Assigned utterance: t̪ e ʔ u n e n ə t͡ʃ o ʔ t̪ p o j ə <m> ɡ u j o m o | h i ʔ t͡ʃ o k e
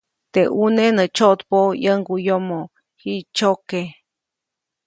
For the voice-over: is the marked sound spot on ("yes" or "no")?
no